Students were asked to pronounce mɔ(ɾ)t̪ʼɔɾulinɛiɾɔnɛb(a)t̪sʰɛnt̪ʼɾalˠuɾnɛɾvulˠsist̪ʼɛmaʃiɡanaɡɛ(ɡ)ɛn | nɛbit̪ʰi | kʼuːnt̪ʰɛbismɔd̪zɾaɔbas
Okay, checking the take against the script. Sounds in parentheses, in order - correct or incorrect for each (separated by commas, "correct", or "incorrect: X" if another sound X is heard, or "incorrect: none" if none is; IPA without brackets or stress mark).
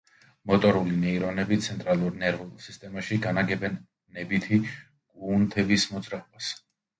incorrect: none, incorrect: i, incorrect: b